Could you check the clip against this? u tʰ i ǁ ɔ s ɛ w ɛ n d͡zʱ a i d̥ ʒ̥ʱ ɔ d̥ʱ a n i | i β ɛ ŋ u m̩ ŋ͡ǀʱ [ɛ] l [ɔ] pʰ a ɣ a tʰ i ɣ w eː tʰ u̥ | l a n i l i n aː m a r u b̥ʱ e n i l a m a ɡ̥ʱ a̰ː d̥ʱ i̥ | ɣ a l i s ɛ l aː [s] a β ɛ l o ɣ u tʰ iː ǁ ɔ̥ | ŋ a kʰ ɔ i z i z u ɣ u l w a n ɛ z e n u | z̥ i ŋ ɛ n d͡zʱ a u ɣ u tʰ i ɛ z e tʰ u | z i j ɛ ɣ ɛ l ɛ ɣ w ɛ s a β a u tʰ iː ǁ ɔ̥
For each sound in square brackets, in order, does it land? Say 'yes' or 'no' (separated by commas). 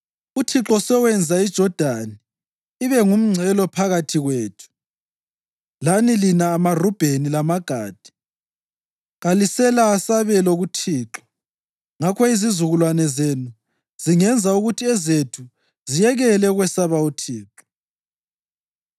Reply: yes, yes, yes